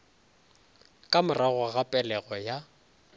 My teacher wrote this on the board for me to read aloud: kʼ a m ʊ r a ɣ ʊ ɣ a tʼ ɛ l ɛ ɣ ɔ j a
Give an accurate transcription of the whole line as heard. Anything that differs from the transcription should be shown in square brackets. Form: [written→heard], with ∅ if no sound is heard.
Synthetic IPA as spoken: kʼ a m ʊ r a ɣ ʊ ɣ a [tʼ→pʼ] ɛ l ɛ ɣ ɔ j a